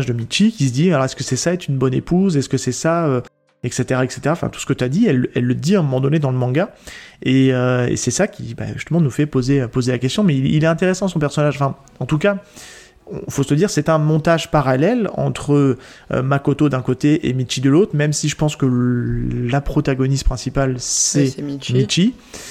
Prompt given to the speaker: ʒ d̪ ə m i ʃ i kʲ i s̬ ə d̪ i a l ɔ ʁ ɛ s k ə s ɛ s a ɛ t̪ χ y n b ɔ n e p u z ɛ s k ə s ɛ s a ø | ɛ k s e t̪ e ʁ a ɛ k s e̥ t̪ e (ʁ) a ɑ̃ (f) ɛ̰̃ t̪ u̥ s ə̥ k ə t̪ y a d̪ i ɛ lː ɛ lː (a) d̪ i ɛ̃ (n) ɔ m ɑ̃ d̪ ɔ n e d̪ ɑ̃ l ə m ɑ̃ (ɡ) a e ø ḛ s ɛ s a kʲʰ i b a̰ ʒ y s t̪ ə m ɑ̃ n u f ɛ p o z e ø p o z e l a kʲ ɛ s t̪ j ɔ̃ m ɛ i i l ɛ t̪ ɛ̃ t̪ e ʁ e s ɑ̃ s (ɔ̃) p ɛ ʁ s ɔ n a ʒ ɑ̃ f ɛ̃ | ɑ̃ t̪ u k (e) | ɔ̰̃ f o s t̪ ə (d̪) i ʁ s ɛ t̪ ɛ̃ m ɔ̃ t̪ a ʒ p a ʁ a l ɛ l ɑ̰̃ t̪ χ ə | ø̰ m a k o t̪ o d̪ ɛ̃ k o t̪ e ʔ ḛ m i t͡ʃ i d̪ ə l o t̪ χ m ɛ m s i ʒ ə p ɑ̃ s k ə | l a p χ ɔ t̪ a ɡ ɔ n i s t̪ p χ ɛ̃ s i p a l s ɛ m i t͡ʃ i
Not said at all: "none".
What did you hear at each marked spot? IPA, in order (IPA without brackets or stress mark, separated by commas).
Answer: ʁ, f, ə, m, ɡ, ɔ̃, a, d̪